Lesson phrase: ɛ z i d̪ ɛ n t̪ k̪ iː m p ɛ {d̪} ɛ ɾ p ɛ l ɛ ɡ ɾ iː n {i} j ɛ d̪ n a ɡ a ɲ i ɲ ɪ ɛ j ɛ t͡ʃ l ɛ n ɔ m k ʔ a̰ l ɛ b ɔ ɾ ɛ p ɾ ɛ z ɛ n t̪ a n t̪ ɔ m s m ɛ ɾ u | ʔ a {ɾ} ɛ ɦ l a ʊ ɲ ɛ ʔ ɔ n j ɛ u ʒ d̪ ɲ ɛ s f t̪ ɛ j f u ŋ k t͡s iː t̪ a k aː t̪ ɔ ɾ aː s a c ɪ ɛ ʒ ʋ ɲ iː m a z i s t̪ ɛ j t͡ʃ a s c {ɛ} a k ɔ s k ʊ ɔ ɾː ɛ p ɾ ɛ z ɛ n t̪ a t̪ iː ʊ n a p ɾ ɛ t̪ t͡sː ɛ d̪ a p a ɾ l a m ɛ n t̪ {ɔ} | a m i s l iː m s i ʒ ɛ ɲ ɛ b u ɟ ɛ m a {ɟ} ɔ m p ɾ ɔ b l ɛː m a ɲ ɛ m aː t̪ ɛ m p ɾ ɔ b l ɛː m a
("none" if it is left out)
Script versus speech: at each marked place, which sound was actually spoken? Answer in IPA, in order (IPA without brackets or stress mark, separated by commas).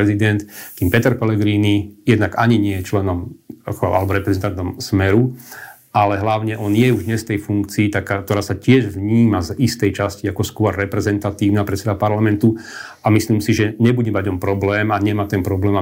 t̪, i, l, i, u, ɟ